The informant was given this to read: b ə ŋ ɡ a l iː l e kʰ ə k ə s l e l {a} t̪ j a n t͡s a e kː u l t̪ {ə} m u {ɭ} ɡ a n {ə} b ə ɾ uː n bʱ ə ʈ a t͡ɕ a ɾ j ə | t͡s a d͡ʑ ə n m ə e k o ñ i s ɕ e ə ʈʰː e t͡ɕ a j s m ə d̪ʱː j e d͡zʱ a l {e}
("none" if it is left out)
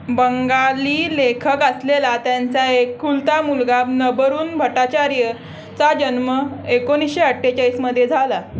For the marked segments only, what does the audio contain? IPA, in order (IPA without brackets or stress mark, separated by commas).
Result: a, a, l, ə, a